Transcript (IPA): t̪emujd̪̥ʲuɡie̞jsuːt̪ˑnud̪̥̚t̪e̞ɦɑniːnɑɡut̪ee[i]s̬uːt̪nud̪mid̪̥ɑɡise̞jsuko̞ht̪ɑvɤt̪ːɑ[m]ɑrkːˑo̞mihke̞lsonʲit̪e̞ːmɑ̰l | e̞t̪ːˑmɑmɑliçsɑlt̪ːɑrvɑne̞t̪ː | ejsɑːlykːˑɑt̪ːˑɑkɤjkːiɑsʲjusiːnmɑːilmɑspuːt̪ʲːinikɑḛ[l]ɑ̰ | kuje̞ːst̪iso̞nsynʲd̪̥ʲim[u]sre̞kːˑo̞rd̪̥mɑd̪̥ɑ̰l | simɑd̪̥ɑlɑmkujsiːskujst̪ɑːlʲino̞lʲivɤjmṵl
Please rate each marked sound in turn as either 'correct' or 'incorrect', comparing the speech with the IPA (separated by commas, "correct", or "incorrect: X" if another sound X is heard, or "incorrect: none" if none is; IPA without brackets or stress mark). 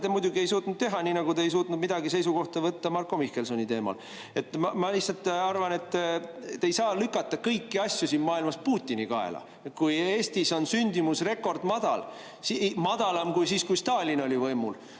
incorrect: j, correct, correct, correct